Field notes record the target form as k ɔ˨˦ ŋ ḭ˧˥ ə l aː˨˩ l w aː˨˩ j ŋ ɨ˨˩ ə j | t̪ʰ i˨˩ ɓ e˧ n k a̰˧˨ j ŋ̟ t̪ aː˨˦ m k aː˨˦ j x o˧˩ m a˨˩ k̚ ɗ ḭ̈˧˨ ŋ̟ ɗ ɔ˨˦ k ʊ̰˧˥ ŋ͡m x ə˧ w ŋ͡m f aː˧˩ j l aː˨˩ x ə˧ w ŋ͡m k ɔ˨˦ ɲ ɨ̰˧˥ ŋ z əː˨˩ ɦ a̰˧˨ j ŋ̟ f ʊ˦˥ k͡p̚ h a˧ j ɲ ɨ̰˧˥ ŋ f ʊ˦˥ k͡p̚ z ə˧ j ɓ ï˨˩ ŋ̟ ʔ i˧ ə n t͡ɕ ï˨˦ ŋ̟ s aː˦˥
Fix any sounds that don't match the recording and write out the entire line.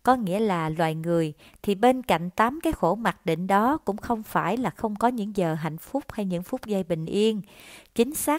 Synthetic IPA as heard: k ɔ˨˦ ŋ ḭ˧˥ ə l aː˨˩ l w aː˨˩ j ŋ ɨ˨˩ ə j | t̪ʰ i˨˩ ɓ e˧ n k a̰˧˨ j ŋ̟ t̪ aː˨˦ m k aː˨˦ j x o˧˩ m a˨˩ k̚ ɗ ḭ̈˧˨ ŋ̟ ɗ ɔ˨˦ k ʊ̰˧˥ ŋ͡m x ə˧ w ŋ͡m f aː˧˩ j l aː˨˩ x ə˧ w ŋ͡m k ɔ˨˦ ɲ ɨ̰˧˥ ŋ z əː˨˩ ɦ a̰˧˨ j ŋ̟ f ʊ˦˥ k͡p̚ h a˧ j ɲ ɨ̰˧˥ ŋ f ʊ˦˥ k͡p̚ z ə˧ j ɓ ï˨˩ ŋ̟ ʔ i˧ ə n t͡ɕ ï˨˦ ŋ̟ s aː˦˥